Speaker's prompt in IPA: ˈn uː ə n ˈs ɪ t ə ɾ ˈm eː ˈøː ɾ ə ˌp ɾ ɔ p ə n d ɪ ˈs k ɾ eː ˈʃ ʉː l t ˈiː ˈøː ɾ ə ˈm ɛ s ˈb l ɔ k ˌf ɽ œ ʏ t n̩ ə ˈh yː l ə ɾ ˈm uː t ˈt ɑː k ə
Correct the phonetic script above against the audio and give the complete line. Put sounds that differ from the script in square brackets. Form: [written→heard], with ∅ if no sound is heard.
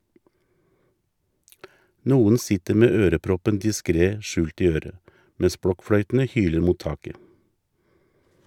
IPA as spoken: ˈn uː ə n ˈs ɪ t ə ɾ ˈm eː ˈøː ɾ ə ˌp ɾ ɔ p ə n d ɪ ˈs k ɾ eː ˈʃ ʉː l t ˈiː ˈøː ɾ ə ˈm ɛ s ˈb [l→ɽ] ɔ k ˌf ɽ œ ʏ t n̩ ə ˈh yː l ə ɾ ˈm uː t ˈt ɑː k ə